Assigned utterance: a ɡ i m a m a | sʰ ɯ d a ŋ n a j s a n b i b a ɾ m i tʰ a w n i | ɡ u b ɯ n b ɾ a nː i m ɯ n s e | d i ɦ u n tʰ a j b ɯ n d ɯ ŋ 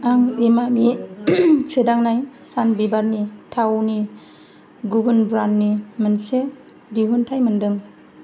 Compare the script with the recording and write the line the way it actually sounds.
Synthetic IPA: a ŋ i m a m i | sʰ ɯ d a ŋ n a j s a n b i b a ɾ n i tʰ a w n i | ɡ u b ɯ n b ɾ a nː i m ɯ n s e | d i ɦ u n tʰ a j m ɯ n d ɯ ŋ